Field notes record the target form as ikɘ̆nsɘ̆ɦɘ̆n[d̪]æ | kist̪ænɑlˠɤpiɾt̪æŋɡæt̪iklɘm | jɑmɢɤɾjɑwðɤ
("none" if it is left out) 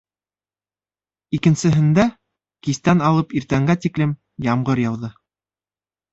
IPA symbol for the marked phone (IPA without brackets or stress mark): d̪